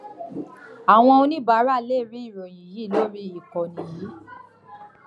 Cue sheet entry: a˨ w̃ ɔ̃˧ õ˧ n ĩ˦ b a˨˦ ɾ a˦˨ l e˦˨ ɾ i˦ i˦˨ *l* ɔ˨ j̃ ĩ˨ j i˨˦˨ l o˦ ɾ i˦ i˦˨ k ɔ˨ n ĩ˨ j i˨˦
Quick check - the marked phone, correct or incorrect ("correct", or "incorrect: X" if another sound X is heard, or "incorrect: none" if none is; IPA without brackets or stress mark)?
incorrect: ɾ